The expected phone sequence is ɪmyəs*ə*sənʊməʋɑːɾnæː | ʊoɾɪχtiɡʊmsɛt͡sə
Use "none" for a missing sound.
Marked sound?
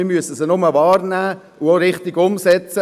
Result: ə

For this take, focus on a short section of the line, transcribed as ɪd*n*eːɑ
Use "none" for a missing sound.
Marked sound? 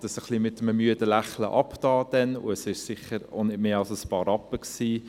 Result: m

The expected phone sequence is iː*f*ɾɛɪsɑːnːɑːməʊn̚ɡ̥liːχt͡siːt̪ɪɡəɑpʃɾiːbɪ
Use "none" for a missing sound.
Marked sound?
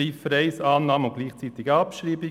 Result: f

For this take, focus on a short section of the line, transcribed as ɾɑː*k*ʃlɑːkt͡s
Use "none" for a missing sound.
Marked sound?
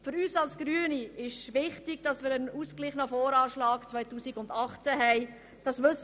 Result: none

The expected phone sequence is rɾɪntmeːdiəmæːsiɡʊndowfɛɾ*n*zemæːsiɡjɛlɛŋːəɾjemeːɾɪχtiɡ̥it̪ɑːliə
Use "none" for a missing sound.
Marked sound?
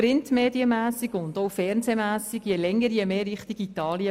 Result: n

